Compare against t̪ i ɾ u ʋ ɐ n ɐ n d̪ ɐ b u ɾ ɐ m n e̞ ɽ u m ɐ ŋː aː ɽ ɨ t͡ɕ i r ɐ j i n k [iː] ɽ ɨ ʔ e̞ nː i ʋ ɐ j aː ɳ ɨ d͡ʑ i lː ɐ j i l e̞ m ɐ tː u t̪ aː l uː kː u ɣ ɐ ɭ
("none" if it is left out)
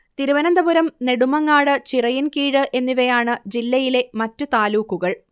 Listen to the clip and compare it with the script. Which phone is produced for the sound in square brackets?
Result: iː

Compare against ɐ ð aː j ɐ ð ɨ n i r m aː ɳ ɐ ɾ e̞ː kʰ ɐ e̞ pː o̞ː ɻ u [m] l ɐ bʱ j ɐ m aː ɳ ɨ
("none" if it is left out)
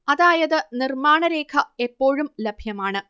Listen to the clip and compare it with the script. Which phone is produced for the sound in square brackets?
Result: m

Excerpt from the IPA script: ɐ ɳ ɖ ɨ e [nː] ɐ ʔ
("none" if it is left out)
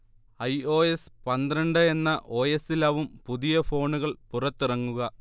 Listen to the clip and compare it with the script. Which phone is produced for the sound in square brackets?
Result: nː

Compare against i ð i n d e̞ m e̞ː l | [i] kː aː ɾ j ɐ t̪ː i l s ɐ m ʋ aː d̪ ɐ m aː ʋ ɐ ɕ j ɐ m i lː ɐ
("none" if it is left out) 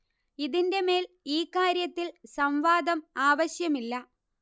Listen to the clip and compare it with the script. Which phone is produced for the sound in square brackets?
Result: iː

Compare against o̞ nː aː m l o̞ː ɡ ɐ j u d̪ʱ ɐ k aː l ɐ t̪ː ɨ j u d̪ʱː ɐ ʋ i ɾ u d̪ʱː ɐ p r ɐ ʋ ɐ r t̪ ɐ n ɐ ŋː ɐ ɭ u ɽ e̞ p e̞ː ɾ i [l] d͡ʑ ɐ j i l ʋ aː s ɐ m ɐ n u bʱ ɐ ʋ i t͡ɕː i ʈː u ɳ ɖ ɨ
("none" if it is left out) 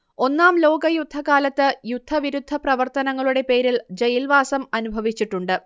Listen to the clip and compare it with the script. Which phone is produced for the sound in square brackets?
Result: l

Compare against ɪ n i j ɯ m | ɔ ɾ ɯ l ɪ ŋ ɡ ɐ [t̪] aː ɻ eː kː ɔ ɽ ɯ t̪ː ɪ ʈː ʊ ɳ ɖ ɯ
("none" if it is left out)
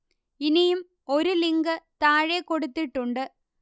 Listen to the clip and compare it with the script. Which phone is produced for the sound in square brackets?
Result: t̪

